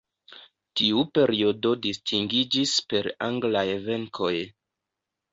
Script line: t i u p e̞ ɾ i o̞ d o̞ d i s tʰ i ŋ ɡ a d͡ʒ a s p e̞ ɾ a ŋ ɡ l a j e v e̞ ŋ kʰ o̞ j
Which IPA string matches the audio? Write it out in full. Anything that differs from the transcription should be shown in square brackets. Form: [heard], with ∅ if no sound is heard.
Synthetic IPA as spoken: t i u p e̞ ɾ i o̞ d o̞ d i s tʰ i ŋ ɡ [i] d͡ʒ [i] s p e̞ ɾ a ŋ ɡ l a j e v e̞ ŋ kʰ o̞ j